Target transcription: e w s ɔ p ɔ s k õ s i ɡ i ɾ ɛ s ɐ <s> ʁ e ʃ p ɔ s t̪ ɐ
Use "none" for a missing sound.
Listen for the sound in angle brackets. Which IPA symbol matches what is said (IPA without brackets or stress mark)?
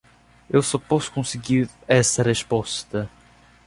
none